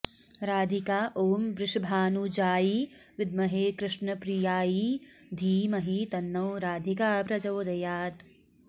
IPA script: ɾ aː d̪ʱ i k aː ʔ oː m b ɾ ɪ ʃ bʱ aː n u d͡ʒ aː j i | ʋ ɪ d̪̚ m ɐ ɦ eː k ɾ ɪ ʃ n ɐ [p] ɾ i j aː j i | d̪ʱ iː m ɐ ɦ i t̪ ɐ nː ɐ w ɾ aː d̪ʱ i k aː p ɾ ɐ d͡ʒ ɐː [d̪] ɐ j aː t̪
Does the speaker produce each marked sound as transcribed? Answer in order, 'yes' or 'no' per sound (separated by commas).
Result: yes, yes